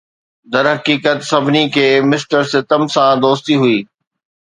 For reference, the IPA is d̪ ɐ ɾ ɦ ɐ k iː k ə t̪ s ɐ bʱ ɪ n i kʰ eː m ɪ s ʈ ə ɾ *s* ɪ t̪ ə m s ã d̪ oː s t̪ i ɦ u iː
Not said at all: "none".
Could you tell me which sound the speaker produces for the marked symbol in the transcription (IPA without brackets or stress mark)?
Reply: s